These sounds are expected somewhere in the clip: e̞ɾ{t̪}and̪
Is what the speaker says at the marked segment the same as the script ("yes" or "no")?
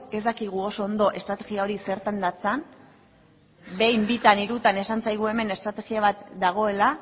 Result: yes